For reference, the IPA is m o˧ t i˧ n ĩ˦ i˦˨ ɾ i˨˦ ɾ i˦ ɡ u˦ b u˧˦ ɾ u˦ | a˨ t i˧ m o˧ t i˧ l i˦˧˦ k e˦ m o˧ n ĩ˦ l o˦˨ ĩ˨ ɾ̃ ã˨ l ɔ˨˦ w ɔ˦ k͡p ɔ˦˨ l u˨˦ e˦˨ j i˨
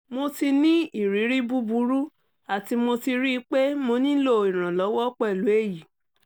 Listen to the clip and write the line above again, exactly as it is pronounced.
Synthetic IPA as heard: m o˧ t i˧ n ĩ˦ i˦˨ ɾ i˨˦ ɾ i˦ b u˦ b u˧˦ ɾ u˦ | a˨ t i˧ m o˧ t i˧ ɾ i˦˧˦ k͡p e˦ m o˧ n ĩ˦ l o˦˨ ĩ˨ ɾ̃ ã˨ l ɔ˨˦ w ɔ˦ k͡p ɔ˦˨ l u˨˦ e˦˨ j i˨